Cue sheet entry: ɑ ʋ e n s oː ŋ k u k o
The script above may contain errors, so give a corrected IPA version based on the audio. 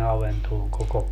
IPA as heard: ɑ ʋ e n t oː ŋ k o k o